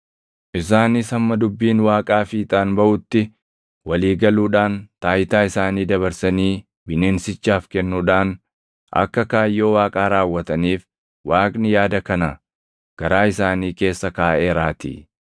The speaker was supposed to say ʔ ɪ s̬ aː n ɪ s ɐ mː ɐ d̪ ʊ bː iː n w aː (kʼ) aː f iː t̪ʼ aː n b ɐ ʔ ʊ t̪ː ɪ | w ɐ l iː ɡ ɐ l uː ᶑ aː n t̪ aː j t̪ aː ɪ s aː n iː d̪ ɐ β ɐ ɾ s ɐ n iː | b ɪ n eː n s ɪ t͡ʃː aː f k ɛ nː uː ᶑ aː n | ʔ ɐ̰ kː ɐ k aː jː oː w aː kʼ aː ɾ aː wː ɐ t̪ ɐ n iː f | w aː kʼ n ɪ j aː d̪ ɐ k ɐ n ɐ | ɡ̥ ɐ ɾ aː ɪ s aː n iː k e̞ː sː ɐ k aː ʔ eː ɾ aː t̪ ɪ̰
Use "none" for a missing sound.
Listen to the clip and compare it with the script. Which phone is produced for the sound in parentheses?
kʼ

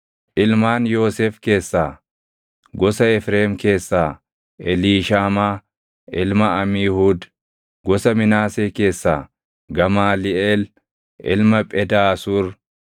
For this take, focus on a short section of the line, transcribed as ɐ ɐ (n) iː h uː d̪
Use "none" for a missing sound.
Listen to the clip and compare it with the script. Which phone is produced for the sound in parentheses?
m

